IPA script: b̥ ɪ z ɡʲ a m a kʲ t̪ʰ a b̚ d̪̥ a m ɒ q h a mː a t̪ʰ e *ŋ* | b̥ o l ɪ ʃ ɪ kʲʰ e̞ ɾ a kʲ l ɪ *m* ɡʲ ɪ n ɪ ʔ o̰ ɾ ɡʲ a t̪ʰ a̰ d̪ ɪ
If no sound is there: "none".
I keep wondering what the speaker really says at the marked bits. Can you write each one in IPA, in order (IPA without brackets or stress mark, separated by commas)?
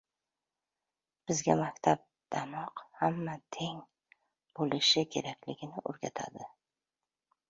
ŋ, none